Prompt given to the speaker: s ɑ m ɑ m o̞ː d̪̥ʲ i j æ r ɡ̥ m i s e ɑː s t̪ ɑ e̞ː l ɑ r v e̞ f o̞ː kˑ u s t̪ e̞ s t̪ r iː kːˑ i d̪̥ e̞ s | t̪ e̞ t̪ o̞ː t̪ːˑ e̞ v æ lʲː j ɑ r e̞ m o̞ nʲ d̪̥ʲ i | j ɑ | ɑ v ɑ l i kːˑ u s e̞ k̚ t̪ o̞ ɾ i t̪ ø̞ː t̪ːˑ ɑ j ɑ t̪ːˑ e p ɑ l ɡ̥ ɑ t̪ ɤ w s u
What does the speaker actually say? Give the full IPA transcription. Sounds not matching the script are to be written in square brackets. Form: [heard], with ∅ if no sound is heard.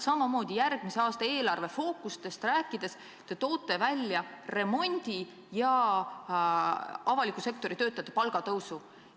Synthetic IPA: s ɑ m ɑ m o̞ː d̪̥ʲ i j æ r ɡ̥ m i s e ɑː s t̪ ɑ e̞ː l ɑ r v e̞ f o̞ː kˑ u s t̪ e̞ s t̪ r [æː] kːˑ i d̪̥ e̞ s | t̪ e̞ t̪ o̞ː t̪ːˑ e̞ v æ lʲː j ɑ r e̞ m o̞ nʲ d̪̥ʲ i | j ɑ | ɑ v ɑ l i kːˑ u s e̞ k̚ t̪ o̞ ɾ i t̪ ø̞ː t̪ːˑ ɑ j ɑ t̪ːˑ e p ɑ l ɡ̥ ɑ t̪ ɤ w s u